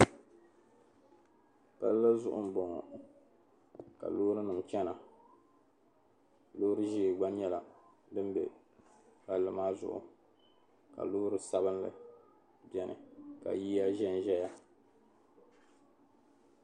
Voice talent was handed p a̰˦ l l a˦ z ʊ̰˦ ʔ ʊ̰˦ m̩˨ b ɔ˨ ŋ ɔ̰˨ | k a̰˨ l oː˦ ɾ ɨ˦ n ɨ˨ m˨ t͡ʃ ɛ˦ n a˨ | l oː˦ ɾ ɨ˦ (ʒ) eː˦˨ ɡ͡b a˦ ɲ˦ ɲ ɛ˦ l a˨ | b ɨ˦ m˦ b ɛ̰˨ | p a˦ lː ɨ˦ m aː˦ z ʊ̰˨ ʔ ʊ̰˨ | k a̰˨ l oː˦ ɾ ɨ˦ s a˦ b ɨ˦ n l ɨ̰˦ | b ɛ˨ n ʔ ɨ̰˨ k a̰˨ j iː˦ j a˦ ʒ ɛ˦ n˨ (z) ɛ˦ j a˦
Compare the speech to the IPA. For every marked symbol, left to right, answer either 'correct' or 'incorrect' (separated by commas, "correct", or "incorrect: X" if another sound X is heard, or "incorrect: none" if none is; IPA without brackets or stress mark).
correct, incorrect: ʒ